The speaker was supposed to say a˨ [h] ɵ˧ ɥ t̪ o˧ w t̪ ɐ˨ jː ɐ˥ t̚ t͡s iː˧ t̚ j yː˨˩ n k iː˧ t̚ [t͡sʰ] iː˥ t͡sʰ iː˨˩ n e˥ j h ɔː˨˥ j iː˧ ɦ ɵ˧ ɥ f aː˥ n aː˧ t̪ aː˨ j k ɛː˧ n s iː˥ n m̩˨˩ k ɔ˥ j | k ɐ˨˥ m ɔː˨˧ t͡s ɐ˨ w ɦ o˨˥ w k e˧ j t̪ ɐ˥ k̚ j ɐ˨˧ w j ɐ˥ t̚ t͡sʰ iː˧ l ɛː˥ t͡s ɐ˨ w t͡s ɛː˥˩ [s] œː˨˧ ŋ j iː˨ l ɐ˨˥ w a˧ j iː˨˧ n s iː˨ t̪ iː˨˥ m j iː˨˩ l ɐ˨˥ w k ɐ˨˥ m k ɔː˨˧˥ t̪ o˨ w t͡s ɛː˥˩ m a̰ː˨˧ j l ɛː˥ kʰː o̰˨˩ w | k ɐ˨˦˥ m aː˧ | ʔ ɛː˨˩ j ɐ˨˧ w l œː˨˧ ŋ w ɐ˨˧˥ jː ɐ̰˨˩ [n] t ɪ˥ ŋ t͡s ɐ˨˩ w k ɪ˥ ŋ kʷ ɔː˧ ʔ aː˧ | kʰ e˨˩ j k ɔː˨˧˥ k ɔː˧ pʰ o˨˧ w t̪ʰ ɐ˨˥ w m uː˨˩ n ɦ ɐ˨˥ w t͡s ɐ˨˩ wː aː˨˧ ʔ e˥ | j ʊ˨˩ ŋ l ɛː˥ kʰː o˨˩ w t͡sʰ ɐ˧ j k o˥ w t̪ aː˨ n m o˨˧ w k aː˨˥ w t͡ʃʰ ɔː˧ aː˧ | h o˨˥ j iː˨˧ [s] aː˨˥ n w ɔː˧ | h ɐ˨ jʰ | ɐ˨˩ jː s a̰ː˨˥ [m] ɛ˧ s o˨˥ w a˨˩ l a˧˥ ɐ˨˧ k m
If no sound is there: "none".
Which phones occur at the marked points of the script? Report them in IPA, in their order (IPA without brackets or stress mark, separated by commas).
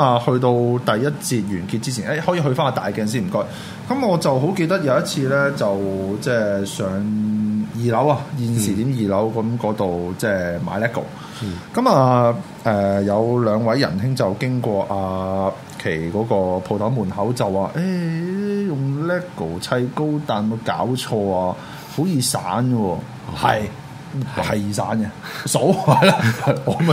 h, t͡s, s, n, s, n